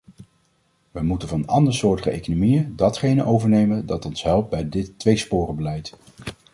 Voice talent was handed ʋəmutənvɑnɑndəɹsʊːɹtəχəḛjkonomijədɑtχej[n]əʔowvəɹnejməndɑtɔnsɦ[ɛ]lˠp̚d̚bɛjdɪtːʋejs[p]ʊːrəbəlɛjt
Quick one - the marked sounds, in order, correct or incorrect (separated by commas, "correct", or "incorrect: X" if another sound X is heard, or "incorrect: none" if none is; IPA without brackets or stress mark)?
correct, correct, correct